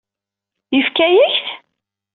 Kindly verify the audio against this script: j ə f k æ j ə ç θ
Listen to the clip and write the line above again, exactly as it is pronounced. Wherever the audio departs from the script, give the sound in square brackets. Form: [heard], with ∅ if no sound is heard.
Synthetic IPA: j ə f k æ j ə ç θ